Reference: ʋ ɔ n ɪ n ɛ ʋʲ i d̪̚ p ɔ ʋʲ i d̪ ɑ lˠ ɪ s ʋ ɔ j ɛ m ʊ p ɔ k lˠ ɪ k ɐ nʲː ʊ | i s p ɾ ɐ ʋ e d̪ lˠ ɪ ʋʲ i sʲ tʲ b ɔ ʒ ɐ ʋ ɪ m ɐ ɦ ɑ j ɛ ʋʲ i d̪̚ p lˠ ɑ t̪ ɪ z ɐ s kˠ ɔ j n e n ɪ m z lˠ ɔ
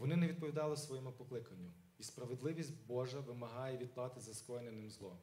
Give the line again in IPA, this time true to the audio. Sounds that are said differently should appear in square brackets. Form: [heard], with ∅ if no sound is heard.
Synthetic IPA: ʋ ɔ n ɪ n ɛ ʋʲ i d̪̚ p ɔ ʋʲ i d̪ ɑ lˠ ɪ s ʋ ɔ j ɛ m ʊ p ɔ k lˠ ɪ k ɐ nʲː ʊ | i s p ɾ ɐ ʋ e d̪ lˠ ɪ ʋʲ i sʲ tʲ b ɔ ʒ ɐ ʋ ɪ m ɐ ɦ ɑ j ɛ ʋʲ i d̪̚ p lˠ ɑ t̪ ɪ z ɐ s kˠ ɔ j n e n ɪ m z lˠ ɔ